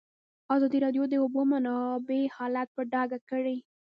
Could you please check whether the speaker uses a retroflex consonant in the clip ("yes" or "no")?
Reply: yes